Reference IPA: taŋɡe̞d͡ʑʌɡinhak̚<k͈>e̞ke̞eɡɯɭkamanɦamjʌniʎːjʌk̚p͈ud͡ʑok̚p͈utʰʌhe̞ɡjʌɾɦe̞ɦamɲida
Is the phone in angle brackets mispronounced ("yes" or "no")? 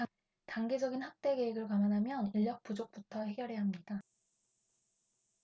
yes